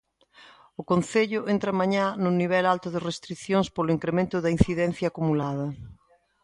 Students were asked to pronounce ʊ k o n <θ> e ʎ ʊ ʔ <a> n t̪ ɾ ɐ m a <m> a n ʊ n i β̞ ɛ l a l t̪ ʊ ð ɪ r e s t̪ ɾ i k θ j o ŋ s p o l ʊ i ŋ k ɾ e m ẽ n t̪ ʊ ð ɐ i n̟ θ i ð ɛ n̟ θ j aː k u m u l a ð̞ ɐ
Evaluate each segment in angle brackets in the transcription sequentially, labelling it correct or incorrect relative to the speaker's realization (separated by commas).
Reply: correct, incorrect, incorrect